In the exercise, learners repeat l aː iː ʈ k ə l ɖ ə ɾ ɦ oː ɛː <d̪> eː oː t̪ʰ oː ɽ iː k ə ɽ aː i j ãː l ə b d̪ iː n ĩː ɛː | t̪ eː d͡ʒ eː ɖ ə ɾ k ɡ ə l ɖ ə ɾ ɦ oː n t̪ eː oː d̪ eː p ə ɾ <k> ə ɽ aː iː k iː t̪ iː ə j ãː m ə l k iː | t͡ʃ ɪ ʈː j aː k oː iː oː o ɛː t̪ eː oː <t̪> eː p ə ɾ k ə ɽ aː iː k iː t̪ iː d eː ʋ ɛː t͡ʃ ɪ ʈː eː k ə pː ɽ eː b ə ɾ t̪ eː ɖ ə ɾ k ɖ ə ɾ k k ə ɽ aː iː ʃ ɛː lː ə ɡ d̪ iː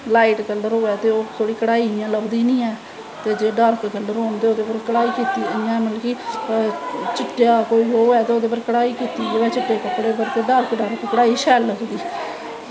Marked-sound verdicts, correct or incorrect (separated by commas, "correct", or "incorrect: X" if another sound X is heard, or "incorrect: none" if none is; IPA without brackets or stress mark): incorrect: t̪, correct, incorrect: d̪